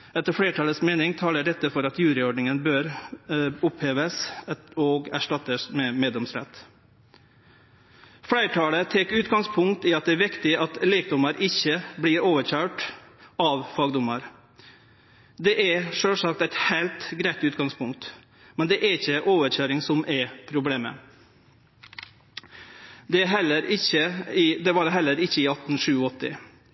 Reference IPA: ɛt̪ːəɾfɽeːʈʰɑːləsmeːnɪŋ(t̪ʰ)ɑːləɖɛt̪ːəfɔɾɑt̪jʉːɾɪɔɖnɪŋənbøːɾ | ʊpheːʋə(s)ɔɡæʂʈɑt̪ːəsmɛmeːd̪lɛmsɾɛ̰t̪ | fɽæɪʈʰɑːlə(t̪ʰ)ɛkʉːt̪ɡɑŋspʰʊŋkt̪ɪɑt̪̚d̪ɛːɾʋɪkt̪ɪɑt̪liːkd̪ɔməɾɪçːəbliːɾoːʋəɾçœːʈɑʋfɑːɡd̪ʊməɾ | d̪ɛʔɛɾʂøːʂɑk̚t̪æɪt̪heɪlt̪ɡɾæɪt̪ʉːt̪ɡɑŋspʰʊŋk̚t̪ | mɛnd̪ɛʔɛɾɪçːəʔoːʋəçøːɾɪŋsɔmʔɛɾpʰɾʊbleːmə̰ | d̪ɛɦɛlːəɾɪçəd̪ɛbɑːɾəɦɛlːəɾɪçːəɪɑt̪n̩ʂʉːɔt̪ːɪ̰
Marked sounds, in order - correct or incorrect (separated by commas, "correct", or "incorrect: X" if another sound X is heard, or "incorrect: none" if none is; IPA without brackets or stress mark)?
correct, correct, correct